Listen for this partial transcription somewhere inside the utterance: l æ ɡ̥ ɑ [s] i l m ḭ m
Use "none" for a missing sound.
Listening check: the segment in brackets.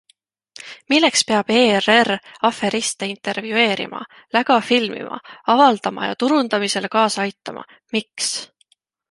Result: f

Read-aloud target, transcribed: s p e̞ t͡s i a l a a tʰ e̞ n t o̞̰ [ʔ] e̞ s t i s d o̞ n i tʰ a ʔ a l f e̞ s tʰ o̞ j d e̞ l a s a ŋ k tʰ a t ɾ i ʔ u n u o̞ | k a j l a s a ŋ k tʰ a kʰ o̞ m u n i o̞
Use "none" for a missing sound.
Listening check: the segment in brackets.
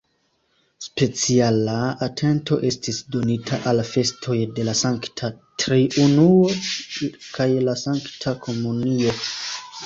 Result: ʔ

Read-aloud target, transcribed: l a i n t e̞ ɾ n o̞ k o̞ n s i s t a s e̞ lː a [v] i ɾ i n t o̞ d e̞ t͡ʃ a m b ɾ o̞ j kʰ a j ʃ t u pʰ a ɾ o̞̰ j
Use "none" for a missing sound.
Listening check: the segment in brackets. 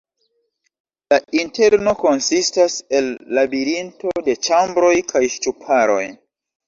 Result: b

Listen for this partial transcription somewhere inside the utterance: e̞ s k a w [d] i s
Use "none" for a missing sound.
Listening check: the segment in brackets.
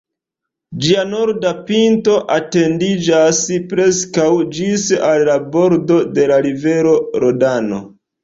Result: d͡ʒ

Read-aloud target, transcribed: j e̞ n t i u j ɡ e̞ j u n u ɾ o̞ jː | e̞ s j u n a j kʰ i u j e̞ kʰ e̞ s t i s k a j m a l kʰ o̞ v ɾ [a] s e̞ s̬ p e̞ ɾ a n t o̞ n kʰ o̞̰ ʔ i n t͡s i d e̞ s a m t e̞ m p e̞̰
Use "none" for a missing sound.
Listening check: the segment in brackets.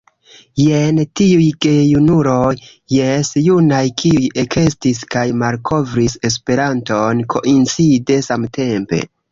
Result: i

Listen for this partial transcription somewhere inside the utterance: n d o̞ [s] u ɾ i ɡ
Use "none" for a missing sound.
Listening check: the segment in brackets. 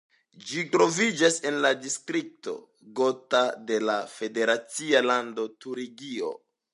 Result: t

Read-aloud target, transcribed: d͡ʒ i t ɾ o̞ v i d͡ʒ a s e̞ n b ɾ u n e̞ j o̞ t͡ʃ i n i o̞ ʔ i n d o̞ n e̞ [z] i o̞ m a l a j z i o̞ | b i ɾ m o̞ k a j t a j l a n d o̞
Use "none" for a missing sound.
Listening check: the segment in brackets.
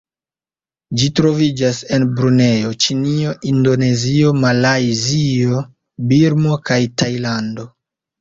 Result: z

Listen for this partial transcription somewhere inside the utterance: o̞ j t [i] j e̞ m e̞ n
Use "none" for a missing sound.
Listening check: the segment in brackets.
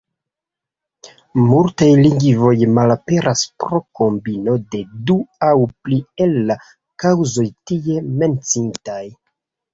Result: i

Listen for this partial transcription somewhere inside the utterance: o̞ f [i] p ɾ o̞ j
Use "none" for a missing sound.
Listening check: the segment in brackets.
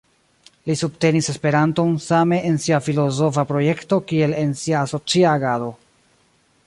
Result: a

